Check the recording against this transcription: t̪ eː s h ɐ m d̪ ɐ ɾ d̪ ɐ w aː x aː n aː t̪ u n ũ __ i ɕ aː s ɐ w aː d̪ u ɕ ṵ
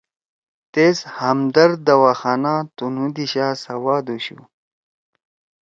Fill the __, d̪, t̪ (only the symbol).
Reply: d̪